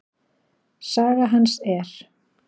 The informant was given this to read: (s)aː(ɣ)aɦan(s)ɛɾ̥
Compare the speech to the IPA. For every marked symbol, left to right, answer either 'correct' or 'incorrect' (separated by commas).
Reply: correct, correct, correct